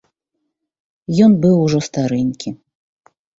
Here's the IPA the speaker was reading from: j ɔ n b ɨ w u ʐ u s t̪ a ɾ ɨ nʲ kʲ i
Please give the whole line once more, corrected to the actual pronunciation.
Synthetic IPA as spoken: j ɔ n b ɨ w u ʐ ɔ s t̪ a ɾ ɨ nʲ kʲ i